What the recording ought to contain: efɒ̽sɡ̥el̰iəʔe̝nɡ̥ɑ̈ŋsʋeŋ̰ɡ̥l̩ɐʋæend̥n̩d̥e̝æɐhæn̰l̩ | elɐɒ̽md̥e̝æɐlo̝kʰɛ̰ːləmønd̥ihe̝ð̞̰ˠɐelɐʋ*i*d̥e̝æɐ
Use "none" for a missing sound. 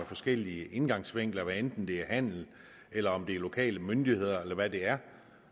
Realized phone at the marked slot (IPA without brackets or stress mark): æ